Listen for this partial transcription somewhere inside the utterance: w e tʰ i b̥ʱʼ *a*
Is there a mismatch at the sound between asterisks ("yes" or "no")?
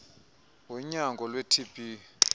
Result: yes